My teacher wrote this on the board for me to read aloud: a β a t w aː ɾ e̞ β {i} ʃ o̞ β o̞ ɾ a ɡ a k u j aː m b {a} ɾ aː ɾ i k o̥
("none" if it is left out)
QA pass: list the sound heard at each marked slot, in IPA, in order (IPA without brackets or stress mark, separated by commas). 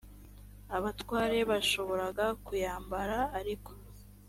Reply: a, a